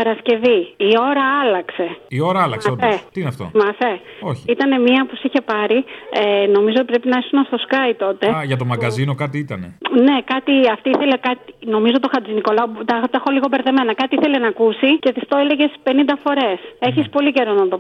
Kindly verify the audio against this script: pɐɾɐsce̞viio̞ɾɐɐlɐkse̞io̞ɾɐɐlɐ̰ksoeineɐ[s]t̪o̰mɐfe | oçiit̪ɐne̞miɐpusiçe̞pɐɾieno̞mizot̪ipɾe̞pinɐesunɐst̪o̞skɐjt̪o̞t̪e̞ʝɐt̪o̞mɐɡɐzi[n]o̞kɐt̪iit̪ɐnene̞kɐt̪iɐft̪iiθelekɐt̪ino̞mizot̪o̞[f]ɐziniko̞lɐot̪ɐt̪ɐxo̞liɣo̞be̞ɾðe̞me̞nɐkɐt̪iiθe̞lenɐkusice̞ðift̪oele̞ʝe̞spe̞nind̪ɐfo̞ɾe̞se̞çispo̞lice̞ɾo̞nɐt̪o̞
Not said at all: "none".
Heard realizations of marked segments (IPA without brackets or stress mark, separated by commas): f, n, x